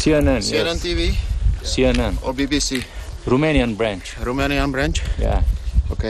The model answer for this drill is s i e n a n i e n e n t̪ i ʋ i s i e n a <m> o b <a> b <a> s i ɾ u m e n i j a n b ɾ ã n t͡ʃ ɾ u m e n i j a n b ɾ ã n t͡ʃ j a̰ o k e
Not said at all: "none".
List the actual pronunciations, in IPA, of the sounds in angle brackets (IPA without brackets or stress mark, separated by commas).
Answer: n, i, i